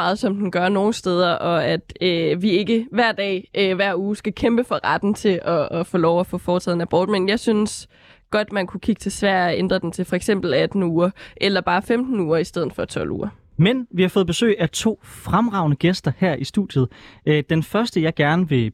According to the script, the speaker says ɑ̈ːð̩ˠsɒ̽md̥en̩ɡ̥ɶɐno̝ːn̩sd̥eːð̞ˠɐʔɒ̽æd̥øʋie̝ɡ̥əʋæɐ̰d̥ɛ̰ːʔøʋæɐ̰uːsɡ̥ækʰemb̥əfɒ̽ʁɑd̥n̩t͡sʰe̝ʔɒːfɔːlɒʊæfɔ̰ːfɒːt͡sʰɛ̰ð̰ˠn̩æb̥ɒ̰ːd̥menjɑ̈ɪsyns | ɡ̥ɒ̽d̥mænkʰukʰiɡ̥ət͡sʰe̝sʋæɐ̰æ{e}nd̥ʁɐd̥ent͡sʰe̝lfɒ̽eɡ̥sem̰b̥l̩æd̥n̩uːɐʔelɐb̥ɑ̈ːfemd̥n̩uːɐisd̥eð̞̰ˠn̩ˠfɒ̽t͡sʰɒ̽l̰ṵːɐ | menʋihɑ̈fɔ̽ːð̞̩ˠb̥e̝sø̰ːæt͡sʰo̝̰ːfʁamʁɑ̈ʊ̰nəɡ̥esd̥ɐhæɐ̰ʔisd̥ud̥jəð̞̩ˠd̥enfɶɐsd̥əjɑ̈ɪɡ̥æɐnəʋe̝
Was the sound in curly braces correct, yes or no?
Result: yes